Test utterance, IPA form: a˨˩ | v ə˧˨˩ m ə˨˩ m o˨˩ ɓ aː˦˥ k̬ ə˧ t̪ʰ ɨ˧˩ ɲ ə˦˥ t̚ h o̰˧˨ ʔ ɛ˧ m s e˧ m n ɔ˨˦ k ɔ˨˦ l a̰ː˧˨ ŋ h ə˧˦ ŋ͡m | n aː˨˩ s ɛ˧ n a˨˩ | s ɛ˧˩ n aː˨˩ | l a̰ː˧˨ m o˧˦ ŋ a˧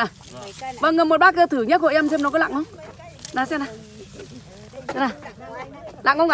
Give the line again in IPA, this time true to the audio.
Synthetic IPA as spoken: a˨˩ | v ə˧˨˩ ŋ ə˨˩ m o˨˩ ɓ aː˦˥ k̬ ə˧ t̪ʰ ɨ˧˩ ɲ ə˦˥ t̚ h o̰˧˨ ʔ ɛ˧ m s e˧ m n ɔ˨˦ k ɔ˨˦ l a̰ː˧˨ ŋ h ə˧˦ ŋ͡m | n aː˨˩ s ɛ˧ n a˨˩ | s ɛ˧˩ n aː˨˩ | l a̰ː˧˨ ŋ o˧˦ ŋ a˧